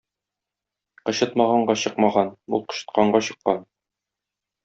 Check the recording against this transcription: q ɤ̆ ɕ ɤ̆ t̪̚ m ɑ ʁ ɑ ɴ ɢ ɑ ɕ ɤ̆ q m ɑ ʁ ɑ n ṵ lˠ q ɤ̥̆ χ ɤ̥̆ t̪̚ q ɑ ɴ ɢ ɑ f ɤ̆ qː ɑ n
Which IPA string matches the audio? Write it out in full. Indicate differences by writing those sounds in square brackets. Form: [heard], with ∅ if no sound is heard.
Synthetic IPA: q ɤ̆ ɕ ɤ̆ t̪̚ m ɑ ʁ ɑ ɴ ɢ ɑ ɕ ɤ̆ q m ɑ ʁ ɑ n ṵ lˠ q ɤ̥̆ [ɕ] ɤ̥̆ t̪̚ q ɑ ɴ ɢ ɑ [ɕ] ɤ̆ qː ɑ n